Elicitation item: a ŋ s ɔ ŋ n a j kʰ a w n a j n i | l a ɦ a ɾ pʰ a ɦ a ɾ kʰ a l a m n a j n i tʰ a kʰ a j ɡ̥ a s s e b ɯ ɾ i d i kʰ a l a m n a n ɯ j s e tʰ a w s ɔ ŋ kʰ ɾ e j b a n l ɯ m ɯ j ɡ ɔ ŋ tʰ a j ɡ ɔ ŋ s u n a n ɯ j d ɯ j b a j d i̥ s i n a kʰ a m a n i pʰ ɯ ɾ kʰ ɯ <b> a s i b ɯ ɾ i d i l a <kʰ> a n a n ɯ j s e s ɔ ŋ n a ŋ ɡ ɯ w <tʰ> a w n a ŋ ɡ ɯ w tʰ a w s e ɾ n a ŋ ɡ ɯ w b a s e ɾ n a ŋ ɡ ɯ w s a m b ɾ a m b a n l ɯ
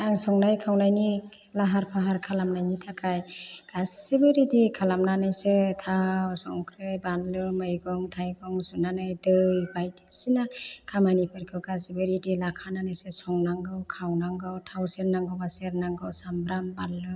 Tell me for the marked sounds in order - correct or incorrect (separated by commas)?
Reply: incorrect, correct, incorrect